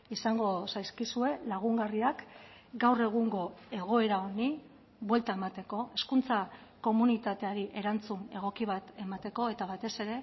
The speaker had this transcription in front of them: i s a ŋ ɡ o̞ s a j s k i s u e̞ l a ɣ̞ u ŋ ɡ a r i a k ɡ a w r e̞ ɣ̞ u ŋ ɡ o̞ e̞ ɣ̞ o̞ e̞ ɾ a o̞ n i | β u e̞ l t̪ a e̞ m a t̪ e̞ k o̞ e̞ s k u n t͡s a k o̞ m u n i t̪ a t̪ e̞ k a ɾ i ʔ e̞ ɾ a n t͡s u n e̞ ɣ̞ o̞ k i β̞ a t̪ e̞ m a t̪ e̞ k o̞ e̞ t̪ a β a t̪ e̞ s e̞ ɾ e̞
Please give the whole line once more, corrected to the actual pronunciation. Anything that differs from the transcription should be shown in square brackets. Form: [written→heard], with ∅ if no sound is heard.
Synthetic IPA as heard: i s a ŋ ɡ o̞ s a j s k i s u e̞ l a ɣ̞ u ŋ ɡ a r i a k ɡ a w r e̞ ɣ̞ u ŋ ɡ o̞ e̞ ɣ̞ o̞ e̞ ɾ a o̞ n i | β [u→w] e̞ l t̪ a e̞ m a t̪ e̞ k o̞ e̞ s k u n t͡s a k o̞ m u n i t̪ a t̪ e̞ [k→∅] a ɾ i ʔ e̞ ɾ a n t͡s u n e̞ ɣ̞ o̞ k i β̞ a t̪ e̞ m a t̪ e̞ k o̞ e̞ t̪ a β a t̪ e̞ s e̞ ɾ e̞